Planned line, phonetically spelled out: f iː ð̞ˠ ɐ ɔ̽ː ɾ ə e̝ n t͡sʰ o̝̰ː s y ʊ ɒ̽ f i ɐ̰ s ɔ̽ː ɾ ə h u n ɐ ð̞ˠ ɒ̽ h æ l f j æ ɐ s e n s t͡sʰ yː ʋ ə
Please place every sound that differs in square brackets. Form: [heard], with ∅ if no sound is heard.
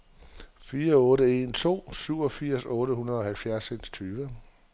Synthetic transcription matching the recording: f iː [∅] ɐ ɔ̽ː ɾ ə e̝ n t͡sʰ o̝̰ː s y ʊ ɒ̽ f i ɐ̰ s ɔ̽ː ɾ ə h u n ɐ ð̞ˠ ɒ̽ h æ l f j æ ɐ s e n s t͡sʰ yː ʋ ə

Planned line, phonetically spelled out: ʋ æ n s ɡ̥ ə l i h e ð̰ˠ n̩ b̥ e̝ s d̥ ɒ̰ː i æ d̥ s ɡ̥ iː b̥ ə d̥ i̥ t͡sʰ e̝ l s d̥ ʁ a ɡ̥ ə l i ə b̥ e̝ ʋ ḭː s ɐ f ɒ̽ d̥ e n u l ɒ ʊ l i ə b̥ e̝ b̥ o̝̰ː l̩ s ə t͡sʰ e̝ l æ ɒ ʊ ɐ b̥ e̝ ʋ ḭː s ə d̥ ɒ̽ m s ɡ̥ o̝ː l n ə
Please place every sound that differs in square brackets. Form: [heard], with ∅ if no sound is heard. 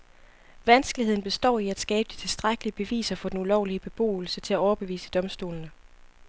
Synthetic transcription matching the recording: ʋ æ n s ɡ̥ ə l i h e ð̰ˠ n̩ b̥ e̝ s d̥ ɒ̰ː i æ d̥ s ɡ̥ [ɛː] b̥ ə d̥ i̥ t͡sʰ e̝ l s d̥ ʁ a ɡ̥ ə l i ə b̥ e̝ ʋ ḭː s ɐ f ɒ̽ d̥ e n u l ɒ ʊ l i ə b̥ e̝ b̥ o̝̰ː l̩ s ə t͡sʰ e̝ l æ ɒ ʊ ɐ b̥ e̝ ʋ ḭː s ə d̥ ɒ̽ m s [d̥] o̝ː l n ə

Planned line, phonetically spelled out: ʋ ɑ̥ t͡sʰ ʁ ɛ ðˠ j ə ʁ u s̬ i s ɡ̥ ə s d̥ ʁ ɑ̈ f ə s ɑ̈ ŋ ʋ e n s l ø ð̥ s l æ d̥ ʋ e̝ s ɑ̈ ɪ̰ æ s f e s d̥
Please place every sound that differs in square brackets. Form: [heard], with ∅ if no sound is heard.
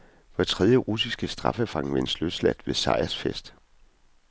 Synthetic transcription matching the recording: ʋ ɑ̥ t͡sʰ ʁ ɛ ðˠ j ə ʁ u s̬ i s ɡ̥ ə s d̥ ʁ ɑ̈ f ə [f] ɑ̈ ŋ ʋ e n s l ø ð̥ s l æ d̥ ʋ e̝ s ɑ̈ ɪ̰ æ s f e s d̥

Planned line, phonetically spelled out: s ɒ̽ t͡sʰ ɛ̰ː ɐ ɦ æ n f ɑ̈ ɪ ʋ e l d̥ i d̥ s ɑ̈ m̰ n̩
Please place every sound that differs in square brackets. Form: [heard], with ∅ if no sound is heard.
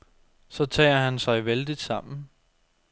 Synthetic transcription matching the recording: s ɒ̽ t͡sʰ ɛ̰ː ɐ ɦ æ n [s] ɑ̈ ɪ ʋ e l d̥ i d̥ s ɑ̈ m̰ n̩

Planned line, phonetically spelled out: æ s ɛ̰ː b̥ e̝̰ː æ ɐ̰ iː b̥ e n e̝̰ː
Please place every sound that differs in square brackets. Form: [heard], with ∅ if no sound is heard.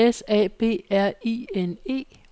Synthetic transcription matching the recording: [e] s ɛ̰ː b̥ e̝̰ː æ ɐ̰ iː [∅] e n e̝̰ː

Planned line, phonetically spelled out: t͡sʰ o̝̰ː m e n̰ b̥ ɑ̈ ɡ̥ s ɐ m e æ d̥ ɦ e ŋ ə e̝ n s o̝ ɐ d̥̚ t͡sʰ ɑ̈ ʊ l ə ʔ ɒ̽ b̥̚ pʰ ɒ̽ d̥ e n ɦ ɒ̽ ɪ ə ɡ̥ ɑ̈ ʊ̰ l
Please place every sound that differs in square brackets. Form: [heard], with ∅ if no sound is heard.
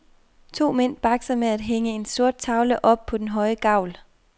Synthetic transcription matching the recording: t͡sʰ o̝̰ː m e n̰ b̥ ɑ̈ ɡ̥ s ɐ m e æ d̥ ɦ e ŋ ə e̝ n s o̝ ɐ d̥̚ t͡sʰ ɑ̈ ʊ l ə ʔ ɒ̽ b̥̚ pʰ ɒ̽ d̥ e n ɦ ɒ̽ ɪ ə ɡ̥ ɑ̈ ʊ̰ l

